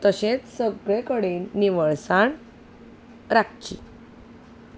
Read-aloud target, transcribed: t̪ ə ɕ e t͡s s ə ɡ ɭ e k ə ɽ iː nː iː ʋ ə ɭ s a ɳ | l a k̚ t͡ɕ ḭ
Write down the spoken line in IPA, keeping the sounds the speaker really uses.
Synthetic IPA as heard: t̪ ə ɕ e t͡s s ə ɡ ɭ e k ə ɽ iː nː i ʋ ə ɭ s a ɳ | ɾ a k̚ t͡ɕ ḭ

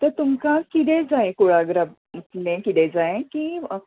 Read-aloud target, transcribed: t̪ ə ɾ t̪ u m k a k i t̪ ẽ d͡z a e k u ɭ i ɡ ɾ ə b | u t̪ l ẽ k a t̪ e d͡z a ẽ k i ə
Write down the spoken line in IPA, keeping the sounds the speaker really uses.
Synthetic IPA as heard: t̪ ə ɾ t̪ u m k a k i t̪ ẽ d͡z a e k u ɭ a ɡ ɾ ə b | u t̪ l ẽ k i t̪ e d͡z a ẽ k i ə

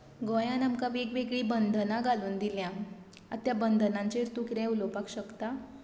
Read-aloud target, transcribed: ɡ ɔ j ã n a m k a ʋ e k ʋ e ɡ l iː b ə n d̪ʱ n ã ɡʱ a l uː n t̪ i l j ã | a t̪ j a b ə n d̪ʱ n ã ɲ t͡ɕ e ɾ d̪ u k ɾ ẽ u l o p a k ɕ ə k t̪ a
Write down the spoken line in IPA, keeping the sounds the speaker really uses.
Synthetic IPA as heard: ɡ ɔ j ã n a m k a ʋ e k ʋ e ɡ ɭ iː b ə n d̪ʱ n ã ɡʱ a l uː n d̪ i l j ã | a t̪ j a b ə n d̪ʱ n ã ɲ t͡ɕ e ɾ t̪ u k ɾ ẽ u l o p a k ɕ ə k t̪ a

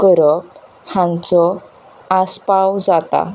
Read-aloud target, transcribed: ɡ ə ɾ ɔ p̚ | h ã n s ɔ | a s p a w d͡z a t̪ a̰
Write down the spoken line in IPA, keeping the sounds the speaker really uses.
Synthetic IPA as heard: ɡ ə ɾ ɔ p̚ | h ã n t͡s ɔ | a s p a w d͡z a t̪ a̰

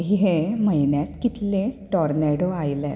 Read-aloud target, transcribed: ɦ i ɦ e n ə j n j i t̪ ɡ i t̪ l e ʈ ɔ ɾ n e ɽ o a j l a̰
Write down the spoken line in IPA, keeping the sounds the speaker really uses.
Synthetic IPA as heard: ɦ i ɦ e m ə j n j a t̪ k i t̪ l e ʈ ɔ ɾ n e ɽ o a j l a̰

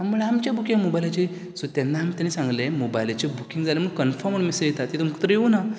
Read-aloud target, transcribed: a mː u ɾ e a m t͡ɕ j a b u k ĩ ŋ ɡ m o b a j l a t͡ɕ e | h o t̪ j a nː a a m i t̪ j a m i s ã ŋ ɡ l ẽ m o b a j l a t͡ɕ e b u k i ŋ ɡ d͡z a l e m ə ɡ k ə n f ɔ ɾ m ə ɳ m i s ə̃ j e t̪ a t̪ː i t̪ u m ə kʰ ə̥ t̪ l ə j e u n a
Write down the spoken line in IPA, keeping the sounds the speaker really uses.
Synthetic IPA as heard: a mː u ɭ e a m t͡ɕ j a b u k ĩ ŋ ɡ m o b a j l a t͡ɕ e | s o t̪ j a nː a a m i t̪ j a n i s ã ŋ ɡ l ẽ m o b a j l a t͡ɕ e b u k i ŋ ɡ d͡z a l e m ə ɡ k ə n f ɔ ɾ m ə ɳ m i s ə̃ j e t̪ a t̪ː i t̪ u m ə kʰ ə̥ t̪ ɾ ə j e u n a

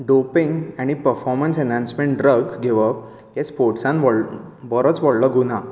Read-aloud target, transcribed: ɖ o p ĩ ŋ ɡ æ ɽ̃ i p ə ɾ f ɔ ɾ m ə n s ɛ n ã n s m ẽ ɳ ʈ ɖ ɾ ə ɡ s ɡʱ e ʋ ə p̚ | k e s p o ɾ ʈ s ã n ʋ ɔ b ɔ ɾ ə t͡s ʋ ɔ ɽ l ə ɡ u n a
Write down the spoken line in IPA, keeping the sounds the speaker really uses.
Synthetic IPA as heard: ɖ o p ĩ ŋ ɡ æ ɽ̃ i p ə ɾ f ɔ ɾ m ə n s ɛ n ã n s m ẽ ɳ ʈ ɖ ɾ ə ɡ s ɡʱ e ʋ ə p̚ | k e s p o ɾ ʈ s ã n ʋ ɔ b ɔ ɾ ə t͡s ʋ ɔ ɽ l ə ɡ u n a

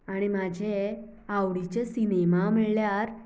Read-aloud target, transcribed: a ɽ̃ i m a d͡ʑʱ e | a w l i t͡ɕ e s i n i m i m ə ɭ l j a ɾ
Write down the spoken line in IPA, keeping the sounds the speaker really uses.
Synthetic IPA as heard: a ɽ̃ i m a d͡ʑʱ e | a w ɽ i t͡ɕ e s i n e m a m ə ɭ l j a ɾ

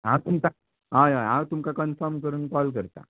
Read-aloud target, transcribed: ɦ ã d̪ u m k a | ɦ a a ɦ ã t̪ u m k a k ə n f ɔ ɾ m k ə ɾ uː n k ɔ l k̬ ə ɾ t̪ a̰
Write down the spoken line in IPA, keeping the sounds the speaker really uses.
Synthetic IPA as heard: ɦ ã t̪ u m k a | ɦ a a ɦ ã t̪ u m k a k ə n f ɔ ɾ m k ə ɾ uː n k ɔ l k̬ ə ɾ t̪ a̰

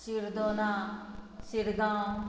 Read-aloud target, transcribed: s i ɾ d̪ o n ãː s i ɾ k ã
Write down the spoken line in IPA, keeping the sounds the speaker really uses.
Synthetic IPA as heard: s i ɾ d̪ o n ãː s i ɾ ɡ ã

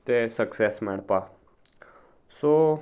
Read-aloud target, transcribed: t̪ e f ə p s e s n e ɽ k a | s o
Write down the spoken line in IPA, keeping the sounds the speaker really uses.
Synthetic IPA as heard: t̪ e s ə k s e s m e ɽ p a | s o

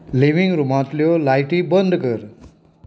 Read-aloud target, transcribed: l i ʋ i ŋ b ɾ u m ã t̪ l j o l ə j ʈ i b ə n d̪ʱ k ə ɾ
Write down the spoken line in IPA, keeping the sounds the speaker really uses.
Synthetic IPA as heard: l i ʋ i ŋ ɡ ɾ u m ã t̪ l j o l a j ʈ i b ə n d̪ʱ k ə ɾ

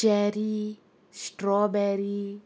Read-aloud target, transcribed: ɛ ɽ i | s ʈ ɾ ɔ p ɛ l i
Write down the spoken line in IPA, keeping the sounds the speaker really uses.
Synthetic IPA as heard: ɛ ɾ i | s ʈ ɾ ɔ b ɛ ɾ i

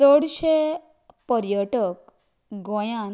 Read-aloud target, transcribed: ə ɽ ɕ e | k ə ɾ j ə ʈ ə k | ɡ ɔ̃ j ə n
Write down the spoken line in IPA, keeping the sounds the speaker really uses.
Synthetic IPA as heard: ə ɽ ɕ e | p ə ɾ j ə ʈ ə k | ɡ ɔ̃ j a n

